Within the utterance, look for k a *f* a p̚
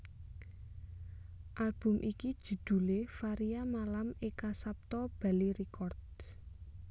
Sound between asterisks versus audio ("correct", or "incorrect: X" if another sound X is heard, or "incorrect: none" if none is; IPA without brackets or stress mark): incorrect: s